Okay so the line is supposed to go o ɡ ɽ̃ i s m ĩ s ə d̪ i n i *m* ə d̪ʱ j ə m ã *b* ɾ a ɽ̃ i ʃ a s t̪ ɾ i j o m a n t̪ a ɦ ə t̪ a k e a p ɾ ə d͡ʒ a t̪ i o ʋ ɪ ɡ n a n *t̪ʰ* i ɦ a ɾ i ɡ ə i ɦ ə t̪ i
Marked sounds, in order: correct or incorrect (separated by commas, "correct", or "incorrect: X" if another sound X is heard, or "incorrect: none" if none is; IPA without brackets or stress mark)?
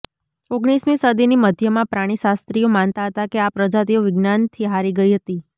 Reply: correct, incorrect: p, correct